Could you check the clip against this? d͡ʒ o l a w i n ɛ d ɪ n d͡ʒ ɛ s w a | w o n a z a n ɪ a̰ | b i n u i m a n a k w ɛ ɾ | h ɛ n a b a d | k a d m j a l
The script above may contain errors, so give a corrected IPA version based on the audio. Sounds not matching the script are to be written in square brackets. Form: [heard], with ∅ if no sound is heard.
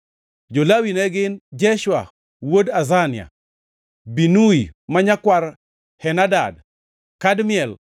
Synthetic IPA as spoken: d͡ʒ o l a w i n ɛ [ɡ] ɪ n d͡ʒ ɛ [ʃ] w a | w o [d] a z a n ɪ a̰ | b i n u i m a [ɲ] a k w [a] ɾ | h ɛ n a [d] a d | k a d m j [ɛ] l